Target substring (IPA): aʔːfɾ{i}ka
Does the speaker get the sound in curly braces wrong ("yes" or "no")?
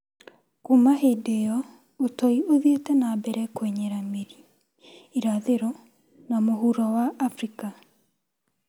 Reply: no